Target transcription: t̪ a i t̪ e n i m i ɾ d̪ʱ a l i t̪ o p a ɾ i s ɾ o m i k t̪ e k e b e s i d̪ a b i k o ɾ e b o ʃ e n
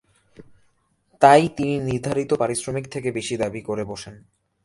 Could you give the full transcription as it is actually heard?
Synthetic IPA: t̪ a j t̪ i n i n i ɾ d̪ʱ a ɾ i t̪ o p a ɾ i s ɾ o m i k t̪ʰ e k e b e ʃ i d̪ a b i k o ɾ e b o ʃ e n